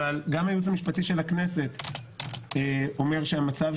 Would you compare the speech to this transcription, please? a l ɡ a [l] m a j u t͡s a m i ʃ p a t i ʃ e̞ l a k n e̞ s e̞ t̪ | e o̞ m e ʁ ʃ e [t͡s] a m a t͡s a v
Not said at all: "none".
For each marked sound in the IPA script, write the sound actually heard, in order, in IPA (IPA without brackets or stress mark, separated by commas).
none, none